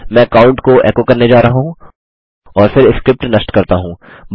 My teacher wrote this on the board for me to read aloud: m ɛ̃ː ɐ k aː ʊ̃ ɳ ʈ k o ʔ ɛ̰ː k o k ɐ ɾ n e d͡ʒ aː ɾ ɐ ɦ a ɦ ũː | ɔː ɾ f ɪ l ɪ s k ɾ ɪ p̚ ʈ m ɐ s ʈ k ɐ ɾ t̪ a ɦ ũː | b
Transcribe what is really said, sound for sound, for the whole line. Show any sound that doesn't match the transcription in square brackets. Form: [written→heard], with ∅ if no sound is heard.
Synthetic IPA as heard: m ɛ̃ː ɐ k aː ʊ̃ ɳ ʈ k o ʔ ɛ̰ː k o k ɐ ɾ n e d͡ʒ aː ɾ ɐ ɦ a ɦ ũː | ɔː ɾ f ɪ [l→ɾ] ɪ s k ɾ ɪ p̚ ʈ [m→n] ɐ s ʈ k ɐ ɾ t̪ a ɦ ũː | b